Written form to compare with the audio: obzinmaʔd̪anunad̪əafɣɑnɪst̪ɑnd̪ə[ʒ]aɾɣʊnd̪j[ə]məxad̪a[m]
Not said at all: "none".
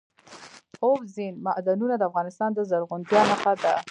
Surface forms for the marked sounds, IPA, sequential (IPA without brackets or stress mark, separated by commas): z, ɑ, none